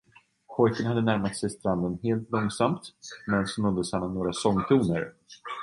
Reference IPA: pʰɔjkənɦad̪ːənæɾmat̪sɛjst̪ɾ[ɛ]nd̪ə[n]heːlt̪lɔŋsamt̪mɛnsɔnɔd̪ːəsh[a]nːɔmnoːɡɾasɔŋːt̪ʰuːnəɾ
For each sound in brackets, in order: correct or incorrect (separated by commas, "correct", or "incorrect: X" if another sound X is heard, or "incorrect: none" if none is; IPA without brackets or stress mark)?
incorrect: a, correct, correct